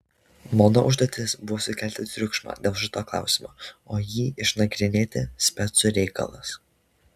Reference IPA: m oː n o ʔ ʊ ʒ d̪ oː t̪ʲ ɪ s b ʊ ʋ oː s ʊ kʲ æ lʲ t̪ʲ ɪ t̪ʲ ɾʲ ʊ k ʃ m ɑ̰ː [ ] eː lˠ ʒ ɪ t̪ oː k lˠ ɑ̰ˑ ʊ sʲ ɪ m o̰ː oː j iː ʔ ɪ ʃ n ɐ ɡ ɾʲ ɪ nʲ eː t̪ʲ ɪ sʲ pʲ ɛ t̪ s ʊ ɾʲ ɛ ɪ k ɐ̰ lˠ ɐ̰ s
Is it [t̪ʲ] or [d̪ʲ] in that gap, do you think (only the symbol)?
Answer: d̪ʲ